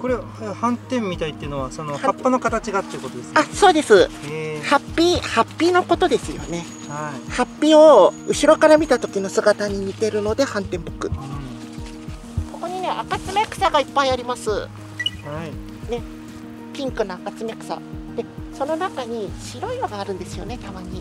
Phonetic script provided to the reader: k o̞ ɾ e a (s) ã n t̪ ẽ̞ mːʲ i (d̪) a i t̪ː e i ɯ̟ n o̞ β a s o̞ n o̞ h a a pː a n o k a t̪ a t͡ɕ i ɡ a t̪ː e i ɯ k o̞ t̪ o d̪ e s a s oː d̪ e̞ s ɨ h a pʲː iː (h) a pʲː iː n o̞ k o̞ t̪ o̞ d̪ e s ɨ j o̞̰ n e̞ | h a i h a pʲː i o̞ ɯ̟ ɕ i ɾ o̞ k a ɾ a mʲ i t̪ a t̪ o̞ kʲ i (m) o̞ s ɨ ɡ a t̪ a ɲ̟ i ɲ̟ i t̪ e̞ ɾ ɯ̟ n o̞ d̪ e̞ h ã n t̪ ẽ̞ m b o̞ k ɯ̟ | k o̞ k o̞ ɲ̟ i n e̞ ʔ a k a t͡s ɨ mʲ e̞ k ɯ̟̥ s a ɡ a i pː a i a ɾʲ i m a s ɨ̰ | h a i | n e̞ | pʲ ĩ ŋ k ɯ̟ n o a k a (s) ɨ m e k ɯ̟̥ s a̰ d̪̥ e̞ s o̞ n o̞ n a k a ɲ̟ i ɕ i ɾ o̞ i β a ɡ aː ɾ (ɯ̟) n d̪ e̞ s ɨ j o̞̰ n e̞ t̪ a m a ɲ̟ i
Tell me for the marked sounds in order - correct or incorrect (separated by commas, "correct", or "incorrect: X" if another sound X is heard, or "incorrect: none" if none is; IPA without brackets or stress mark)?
incorrect: h, incorrect: t̪, correct, incorrect: n, incorrect: t͡s, incorrect: ɯ̟̃